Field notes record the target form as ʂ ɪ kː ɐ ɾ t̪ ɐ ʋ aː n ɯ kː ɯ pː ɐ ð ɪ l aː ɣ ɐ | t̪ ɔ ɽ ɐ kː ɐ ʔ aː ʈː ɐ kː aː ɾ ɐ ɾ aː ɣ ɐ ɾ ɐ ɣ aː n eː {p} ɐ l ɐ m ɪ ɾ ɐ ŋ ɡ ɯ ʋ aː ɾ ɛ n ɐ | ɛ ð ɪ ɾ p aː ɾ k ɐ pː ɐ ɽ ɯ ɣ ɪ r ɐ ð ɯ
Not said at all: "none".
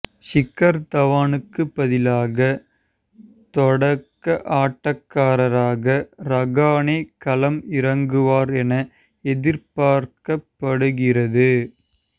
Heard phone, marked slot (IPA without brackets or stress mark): k